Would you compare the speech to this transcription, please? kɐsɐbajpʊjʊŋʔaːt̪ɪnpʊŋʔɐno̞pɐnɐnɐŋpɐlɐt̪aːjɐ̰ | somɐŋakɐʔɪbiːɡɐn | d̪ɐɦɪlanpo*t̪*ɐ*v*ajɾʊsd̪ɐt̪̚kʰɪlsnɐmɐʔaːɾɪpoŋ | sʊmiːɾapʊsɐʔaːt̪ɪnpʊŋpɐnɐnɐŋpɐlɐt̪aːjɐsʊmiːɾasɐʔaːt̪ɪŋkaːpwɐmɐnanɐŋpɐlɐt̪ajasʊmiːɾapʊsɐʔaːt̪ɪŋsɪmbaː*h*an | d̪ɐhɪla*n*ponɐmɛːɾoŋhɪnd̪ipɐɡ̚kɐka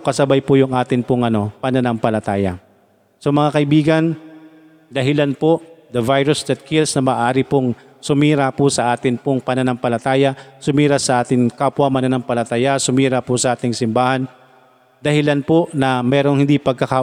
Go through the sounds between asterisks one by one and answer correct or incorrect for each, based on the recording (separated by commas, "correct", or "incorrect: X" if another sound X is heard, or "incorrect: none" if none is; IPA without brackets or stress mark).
incorrect: d̪, correct, correct, correct